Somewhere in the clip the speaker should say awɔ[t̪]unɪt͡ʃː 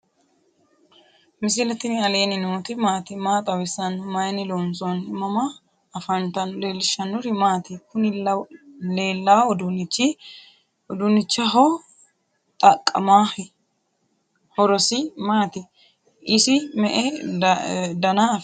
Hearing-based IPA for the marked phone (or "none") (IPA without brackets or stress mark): d̪